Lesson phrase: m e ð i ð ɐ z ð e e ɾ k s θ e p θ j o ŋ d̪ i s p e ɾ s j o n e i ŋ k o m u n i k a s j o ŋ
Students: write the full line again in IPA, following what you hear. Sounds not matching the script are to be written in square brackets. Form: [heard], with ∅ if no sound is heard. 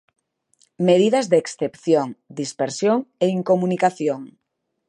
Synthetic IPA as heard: m e ð i ð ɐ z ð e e [∅] k s θ e p θ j o ŋ d̪ i s p e ɾ s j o [ŋ] e i ŋ k o m u n i k a [θ] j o ŋ